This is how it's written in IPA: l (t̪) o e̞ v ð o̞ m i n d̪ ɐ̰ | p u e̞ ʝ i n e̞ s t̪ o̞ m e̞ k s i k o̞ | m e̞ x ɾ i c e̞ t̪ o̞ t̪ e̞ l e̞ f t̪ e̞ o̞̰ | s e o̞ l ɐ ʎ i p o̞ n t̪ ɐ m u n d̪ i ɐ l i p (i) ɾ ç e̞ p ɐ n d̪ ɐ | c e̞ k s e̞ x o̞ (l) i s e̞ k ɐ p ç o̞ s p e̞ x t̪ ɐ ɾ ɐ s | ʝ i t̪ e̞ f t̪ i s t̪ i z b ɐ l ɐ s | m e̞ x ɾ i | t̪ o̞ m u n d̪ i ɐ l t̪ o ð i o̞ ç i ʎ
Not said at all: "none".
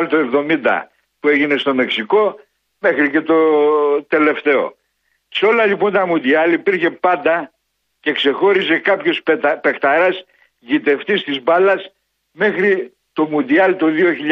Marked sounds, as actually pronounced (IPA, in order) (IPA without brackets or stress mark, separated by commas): t̪, i, ɾ